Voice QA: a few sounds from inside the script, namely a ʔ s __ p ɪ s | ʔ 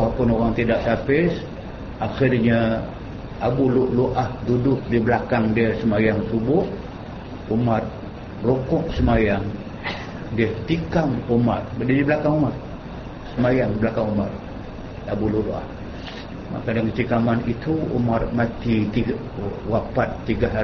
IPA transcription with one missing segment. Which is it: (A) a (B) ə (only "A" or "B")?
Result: A